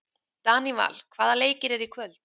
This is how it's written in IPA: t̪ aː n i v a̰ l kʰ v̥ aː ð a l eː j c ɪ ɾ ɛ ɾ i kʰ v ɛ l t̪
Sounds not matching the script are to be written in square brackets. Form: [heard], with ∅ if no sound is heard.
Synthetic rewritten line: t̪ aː n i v a̰ l kʰ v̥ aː ð a l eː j c ɪ ɾ ɛ ɾ i kʰ v [œ] l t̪